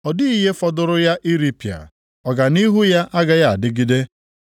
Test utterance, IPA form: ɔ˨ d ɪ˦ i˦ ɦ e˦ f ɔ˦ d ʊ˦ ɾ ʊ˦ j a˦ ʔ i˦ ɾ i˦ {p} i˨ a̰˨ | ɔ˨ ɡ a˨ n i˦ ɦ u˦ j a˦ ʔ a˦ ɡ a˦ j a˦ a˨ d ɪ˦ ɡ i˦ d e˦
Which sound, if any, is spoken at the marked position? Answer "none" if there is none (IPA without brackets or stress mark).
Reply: p